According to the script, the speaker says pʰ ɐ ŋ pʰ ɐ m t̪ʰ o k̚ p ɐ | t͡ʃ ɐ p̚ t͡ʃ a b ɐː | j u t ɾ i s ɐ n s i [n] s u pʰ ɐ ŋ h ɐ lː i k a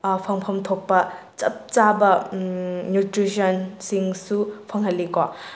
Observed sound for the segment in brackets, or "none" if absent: ŋ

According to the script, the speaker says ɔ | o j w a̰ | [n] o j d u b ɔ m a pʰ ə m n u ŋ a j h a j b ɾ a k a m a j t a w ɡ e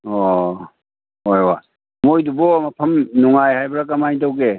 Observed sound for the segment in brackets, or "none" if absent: m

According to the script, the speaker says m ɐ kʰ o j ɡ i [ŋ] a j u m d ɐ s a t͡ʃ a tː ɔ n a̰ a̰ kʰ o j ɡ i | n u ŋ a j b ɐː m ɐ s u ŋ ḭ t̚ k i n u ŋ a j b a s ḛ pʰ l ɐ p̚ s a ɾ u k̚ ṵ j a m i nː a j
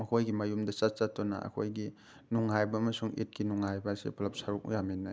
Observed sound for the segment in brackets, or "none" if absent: m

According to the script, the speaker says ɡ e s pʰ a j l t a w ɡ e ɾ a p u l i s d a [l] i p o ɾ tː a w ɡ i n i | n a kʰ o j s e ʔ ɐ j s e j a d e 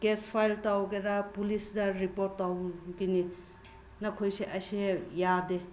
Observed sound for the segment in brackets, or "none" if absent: ɾ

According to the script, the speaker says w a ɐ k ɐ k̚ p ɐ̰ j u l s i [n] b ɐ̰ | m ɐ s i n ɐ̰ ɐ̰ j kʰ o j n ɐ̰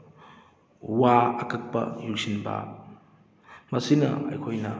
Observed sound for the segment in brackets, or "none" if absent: n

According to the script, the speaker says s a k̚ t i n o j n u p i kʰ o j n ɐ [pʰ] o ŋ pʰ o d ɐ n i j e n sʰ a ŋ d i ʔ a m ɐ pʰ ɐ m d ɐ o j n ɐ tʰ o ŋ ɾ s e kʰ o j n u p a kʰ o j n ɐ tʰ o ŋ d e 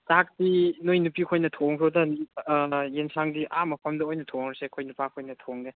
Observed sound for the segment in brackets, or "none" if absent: tʰ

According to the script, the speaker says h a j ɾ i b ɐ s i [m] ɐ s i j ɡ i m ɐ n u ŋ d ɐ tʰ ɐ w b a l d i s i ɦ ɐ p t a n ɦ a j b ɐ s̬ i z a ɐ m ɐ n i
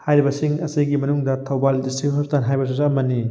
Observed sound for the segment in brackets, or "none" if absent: ŋ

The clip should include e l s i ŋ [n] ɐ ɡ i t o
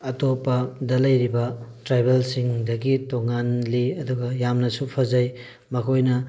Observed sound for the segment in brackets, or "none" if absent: d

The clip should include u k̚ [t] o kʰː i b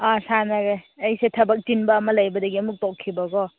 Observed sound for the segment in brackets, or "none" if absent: t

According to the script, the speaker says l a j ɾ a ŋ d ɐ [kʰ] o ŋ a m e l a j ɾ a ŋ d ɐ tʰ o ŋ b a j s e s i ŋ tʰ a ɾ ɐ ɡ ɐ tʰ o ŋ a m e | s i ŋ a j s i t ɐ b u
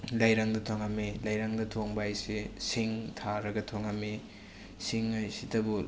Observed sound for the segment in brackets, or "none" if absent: tʰ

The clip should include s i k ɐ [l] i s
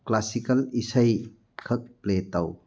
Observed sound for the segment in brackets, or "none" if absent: l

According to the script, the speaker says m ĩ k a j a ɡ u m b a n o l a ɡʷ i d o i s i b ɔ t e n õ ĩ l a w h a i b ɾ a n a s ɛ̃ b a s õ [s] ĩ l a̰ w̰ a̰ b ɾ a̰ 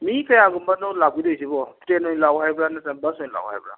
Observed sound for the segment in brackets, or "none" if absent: none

